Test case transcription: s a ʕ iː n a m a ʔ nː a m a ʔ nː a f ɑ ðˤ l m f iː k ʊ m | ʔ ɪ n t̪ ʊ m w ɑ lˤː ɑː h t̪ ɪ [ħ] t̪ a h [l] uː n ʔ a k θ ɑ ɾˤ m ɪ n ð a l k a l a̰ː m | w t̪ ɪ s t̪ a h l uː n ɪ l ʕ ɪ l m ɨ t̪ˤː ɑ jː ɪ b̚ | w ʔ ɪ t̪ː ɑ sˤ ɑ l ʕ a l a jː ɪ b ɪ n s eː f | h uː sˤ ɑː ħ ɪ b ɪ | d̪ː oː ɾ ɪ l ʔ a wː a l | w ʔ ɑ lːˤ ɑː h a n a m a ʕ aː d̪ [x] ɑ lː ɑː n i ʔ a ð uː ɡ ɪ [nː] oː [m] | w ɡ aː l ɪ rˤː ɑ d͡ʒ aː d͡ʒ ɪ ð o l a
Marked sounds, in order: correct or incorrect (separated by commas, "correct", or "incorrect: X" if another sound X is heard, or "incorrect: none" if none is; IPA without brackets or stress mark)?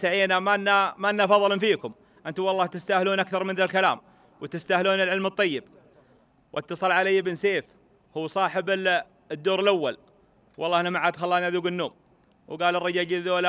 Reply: incorrect: s, correct, correct, correct, correct